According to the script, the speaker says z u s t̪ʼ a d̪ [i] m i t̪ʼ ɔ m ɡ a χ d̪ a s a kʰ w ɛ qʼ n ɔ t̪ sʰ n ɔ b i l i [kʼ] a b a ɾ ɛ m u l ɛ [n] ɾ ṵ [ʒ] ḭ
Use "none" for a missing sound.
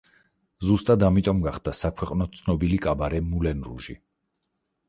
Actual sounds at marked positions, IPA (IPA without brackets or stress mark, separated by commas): a, kʼ, n, ʒ